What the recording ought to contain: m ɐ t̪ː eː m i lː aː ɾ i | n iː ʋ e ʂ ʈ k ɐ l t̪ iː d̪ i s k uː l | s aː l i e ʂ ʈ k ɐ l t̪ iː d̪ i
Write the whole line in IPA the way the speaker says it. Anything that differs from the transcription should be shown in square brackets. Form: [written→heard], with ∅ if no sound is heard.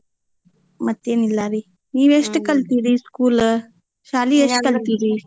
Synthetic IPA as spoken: m ɐ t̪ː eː [m→n] i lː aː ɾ i | n iː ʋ e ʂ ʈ k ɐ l t̪ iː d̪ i s k uː l | [s→ʃ] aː l i e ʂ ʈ k ɐ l t̪ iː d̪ i

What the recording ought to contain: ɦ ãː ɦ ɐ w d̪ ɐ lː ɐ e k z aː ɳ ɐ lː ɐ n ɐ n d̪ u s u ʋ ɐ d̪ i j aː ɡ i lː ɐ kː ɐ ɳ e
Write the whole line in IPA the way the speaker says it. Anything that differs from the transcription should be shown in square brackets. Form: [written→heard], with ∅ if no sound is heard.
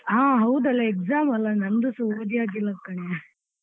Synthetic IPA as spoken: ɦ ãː ɦ ɐ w d̪ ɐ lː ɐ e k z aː [ɳ→m] ɐ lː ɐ n ɐ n d̪ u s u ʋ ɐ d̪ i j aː ɡ i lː ɐ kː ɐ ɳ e

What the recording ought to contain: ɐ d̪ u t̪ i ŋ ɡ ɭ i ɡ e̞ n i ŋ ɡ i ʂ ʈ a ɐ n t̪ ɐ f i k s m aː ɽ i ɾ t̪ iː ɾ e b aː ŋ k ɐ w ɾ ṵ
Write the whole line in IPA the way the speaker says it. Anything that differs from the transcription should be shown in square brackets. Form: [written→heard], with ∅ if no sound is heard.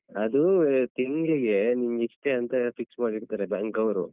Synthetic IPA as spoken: ɐ d̪ u t̪ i ŋ ɡ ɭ i ɡ e̞ n i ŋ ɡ i ʂ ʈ [a→e] ɐ n t̪ ɐ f i k s m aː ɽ i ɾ t̪ [iː→aː] ɾ e b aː ŋ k ɐ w ɾ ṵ

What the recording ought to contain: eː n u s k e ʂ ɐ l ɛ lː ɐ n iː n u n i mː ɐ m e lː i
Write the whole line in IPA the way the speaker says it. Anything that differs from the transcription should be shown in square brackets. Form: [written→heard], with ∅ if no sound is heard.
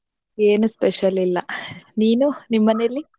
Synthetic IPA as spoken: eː n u s [k→p] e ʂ ɐ l [ɛ→i] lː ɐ n iː n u n i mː ɐ [m→n] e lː i

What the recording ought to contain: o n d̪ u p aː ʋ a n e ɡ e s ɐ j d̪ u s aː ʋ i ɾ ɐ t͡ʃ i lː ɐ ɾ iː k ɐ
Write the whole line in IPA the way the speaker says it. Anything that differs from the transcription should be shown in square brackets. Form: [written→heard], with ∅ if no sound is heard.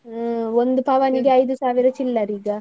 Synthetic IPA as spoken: o n d̪ u p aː ʋ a n [e→i] ɡ e [s→∅] ɐ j d̪ u s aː ʋ i ɾ ɐ t͡ʃ i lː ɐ ɾ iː [k→ɡ] ɐ

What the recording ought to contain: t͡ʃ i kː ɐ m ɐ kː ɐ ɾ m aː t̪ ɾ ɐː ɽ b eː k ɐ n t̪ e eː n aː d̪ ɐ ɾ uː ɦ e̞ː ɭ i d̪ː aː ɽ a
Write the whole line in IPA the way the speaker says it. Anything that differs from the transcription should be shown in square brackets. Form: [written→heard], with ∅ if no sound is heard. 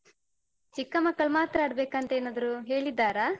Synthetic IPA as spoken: t͡ʃ i kː ɐ m ɐ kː ɐ [ɾ→ɭ] m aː t̪ ɾ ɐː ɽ b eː k ɐ n t̪ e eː n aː d̪ ɐ ɾ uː ɦ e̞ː ɭ i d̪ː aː [ɽ→ɾ] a

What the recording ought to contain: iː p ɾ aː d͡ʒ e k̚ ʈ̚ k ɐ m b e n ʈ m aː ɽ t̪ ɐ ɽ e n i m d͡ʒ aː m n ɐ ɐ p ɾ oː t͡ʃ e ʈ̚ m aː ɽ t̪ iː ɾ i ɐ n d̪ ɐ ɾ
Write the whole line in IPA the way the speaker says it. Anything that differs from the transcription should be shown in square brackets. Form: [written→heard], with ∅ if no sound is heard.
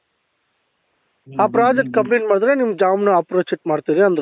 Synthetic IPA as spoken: [iː→aː] p ɾ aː d͡ʒ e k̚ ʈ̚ k ɐ m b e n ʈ m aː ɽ [t̪→d̪] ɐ [ɽ→ɾ] e n i m d͡ʒ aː m n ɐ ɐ p ɾ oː t͡ʃ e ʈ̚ m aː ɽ t̪ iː ɾ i ɐ n d̪ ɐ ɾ

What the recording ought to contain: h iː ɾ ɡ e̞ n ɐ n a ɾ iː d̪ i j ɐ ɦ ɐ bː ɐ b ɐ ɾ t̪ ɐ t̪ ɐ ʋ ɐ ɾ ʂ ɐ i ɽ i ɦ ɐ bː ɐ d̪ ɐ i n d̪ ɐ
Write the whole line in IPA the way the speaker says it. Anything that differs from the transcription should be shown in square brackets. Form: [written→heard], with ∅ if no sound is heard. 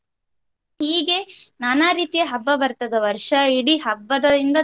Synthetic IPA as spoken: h iː [ɾ→∅] ɡ e̞ n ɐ n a ɾ iː [d̪→t̪] i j ɐ ɦ ɐ bː ɐ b ɐ ɾ t̪ ɐ [t̪→d̪] ɐ ʋ ɐ ɾ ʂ ɐ i ɽ i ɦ ɐ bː ɐ d̪ ɐ i n d̪ ɐ

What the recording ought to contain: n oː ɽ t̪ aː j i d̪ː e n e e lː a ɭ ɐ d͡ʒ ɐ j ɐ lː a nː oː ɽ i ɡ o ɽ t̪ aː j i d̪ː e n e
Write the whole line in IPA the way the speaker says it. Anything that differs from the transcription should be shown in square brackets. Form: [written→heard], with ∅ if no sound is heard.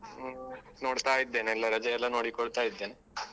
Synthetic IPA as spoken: n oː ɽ t̪ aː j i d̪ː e n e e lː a [ɭ→ɾ] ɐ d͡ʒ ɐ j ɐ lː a [nː→n] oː ɽ i [ɡ→k] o ɽ t̪ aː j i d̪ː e n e

